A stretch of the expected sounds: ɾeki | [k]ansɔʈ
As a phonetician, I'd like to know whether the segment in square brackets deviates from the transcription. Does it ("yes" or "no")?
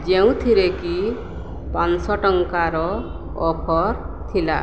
yes